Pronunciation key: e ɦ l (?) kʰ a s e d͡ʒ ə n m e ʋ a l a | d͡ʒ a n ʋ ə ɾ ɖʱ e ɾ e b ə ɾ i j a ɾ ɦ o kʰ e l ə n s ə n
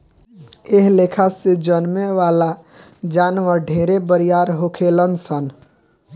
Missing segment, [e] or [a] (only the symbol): e